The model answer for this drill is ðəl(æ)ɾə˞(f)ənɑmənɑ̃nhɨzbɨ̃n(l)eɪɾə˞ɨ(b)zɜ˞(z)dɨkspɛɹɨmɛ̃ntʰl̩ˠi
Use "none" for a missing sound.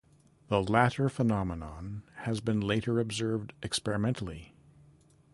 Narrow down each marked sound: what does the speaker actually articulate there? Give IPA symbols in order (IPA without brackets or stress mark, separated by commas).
æ, f, l, b, v